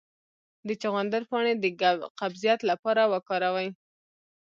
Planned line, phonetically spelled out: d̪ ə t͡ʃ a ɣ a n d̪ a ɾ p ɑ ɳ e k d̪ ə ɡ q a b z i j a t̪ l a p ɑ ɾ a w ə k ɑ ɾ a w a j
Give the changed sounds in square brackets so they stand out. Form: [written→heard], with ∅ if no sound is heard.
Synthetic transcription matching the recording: d̪ ə t͡ʃ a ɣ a n d̪ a ɾ p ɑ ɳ e [k→∅] d̪ ə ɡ q a b z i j a t̪ l a p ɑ ɾ a w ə k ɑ ɾ a w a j